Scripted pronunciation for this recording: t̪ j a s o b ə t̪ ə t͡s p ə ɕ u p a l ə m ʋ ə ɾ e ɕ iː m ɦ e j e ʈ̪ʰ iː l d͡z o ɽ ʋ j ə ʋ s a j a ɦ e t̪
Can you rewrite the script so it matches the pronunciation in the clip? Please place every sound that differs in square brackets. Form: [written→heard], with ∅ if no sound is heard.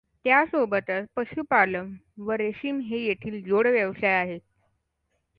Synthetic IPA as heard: t̪ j a s o b ə t̪ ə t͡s p ə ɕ u p a l ə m ʋ ə ɾ e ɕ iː m ɦ e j e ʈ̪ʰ iː l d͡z o ɽ ʋ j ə ʋ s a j a ɦ e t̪